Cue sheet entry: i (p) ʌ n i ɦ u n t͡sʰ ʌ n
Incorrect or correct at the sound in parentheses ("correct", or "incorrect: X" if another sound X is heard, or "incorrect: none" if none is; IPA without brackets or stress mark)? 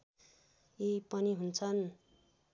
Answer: correct